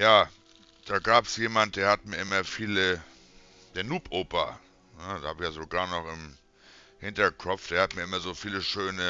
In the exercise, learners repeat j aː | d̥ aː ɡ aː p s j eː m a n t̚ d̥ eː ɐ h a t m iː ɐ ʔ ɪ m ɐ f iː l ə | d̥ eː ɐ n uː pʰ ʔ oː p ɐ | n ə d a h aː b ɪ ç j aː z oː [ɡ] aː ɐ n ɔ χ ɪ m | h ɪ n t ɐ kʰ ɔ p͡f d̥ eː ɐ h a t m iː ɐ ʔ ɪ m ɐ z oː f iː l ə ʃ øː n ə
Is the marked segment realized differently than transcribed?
no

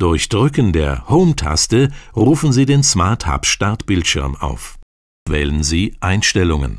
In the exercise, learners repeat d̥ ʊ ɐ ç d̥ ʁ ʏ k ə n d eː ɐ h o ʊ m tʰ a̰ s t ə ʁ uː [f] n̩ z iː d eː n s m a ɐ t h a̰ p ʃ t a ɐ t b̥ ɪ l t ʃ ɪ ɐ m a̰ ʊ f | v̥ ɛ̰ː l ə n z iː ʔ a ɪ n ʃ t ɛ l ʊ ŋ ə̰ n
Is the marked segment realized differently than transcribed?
no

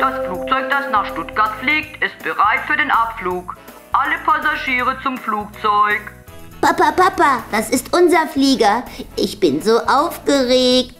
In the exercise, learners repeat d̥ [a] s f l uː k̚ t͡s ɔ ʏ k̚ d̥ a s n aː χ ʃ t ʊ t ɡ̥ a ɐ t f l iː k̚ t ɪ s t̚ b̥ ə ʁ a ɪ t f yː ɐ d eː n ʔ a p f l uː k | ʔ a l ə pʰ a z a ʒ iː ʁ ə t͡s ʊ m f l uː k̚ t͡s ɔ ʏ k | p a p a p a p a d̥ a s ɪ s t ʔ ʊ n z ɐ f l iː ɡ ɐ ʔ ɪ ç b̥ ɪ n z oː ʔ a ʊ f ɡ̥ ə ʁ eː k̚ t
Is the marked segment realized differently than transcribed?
no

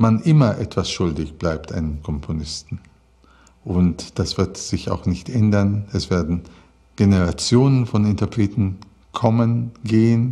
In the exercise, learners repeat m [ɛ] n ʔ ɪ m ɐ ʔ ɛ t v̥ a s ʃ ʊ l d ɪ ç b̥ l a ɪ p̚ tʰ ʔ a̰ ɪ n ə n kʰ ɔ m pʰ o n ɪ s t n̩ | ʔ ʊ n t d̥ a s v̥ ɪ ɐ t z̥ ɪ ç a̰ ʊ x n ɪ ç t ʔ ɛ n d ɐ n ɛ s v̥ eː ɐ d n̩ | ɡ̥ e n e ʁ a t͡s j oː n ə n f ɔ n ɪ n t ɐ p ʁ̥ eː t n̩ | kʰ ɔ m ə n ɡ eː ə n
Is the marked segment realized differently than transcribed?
yes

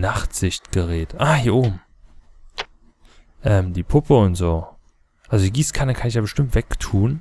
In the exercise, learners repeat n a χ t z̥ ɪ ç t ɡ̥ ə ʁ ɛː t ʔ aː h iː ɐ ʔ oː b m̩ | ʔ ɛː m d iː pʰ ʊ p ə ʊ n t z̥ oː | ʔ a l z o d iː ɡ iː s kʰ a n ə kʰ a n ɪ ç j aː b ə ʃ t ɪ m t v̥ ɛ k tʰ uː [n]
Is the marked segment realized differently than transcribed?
no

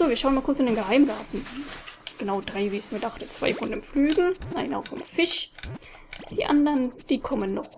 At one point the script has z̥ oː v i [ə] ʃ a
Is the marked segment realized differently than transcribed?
yes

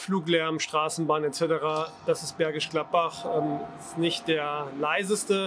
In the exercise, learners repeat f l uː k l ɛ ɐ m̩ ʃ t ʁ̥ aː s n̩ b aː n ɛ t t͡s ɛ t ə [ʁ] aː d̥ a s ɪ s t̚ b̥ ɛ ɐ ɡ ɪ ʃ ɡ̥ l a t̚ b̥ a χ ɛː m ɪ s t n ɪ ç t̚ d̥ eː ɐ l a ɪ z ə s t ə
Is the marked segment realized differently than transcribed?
no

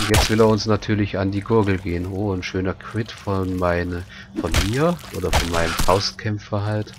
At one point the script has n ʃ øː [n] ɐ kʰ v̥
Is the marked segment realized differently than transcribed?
no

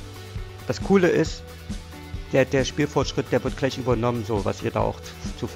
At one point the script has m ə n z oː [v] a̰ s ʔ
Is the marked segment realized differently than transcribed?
no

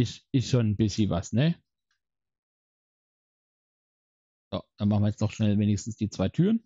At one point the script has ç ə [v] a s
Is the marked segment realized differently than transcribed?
no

